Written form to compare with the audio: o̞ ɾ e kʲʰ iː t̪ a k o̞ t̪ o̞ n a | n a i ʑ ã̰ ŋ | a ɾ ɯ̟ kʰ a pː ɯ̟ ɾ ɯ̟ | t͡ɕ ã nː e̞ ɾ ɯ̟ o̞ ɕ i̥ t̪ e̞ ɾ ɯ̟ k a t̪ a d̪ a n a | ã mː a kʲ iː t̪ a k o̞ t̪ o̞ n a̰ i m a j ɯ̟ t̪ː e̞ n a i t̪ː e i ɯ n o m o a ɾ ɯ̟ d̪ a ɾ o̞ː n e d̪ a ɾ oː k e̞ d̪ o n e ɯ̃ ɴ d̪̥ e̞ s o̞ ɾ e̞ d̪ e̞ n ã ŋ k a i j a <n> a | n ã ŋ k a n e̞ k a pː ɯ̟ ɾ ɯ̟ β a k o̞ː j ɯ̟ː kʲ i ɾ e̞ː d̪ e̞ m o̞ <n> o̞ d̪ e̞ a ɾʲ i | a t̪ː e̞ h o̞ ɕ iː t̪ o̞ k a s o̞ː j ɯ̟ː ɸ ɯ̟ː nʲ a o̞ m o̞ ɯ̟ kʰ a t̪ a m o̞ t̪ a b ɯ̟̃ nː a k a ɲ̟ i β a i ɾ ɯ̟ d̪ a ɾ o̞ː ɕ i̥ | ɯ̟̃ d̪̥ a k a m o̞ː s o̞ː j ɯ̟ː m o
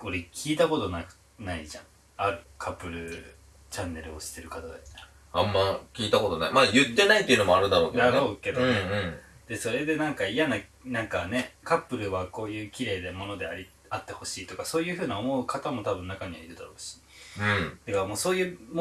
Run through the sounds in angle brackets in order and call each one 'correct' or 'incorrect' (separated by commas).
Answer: correct, correct